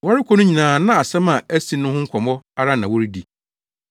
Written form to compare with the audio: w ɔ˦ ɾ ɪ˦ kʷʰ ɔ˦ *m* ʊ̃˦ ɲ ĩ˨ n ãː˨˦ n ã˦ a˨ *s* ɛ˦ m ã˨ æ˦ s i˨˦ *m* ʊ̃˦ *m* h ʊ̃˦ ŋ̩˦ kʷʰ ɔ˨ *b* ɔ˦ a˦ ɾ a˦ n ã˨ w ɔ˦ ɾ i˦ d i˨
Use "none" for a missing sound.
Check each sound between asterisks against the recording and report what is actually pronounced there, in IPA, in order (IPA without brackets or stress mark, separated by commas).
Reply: n, s, n, none, m